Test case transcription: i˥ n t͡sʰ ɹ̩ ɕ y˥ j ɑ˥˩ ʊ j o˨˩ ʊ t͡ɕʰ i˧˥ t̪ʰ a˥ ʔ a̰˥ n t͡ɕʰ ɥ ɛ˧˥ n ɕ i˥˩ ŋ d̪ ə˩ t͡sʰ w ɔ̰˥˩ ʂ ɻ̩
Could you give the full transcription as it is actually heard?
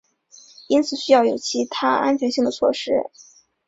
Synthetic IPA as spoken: i˥ n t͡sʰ ɹ̩ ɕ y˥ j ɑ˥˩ ʊ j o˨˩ ʊ t͡ɕʰ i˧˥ t̪ʰ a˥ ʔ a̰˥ n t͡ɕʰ ɥ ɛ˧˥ n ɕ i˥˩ ŋ d̪ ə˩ t͡sʰ w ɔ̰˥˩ ʂ ɻ̩